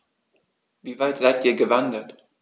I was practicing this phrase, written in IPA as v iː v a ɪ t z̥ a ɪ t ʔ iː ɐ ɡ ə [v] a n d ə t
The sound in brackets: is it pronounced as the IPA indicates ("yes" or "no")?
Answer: yes